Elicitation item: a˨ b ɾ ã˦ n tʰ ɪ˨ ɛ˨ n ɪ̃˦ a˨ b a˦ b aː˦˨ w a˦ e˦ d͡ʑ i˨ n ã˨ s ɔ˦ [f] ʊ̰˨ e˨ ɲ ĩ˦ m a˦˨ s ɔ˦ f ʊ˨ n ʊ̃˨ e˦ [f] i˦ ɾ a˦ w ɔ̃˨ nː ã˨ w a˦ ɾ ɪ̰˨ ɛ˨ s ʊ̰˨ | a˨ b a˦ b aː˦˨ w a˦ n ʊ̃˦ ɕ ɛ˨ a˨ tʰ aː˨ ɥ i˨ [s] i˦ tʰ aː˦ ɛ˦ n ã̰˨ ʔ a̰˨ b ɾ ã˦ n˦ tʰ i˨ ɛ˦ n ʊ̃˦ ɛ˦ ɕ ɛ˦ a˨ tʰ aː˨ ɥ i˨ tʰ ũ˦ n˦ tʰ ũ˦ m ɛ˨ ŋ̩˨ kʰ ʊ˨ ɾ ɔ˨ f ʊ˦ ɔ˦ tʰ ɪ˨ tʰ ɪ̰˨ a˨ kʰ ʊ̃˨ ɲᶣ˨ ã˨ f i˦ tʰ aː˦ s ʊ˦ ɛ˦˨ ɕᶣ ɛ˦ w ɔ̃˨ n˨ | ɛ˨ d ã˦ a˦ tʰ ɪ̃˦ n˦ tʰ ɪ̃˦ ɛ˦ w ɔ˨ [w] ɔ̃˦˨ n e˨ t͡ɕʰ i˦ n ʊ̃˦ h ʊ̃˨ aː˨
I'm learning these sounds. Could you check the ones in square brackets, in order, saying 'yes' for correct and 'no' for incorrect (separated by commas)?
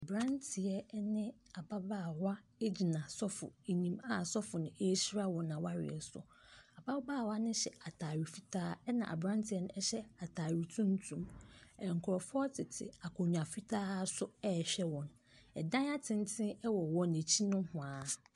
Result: yes, no, no, yes